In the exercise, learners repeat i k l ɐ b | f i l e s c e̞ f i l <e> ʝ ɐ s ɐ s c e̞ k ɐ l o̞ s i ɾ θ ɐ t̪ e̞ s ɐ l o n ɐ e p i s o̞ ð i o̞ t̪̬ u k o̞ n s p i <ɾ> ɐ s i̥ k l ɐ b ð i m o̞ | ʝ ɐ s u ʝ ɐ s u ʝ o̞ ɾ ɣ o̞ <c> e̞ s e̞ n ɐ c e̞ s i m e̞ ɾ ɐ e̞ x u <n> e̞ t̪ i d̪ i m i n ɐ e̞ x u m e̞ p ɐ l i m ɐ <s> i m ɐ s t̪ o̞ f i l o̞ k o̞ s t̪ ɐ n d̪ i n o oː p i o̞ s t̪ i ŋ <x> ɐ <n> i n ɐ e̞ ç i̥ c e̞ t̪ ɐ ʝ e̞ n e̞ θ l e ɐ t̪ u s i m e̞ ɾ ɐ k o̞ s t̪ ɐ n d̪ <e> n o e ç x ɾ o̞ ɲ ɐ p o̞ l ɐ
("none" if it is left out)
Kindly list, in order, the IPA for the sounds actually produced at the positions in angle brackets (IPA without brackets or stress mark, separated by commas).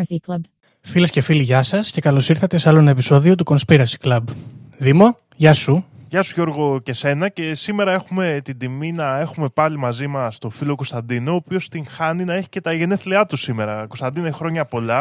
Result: i, ɾ, c, m, z, x, n, i